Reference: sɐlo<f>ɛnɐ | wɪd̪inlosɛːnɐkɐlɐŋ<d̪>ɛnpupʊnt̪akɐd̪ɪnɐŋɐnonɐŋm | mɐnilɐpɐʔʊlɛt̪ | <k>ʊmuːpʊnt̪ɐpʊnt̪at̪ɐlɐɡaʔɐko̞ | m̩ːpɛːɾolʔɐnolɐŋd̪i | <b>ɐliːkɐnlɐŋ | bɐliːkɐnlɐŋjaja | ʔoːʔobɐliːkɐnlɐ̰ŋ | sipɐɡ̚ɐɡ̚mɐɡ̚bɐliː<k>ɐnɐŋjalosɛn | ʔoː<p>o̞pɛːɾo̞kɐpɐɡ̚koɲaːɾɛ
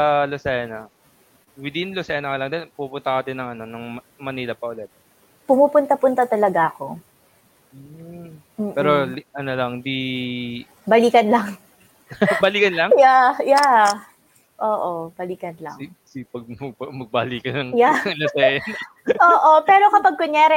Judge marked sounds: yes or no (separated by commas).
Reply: no, yes, no, yes, yes, no